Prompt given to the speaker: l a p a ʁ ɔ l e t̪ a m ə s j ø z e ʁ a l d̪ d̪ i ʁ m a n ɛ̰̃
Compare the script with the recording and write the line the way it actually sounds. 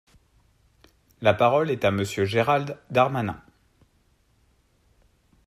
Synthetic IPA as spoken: l a p a ʁ ɔ l ɛ t̪ a m ə s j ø ʒ e ʁ a l d̪ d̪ a ʁ m a n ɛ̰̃